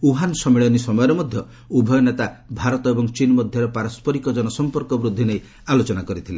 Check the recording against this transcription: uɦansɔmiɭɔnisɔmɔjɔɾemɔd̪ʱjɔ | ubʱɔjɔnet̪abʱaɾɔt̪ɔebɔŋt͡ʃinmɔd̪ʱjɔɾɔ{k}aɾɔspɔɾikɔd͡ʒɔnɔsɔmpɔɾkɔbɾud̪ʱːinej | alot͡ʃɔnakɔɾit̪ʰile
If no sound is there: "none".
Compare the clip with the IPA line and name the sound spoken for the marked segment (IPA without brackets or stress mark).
p